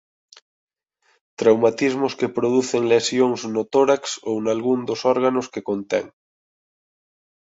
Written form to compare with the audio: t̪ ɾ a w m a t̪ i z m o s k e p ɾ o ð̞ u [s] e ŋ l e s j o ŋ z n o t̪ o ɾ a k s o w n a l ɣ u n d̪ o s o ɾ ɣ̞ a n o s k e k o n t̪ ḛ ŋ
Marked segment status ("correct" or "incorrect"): incorrect